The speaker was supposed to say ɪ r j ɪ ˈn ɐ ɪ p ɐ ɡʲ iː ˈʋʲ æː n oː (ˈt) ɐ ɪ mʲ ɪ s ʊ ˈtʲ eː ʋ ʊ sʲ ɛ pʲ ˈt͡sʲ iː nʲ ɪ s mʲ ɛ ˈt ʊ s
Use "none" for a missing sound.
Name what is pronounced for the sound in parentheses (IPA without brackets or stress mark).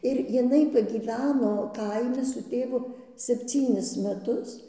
k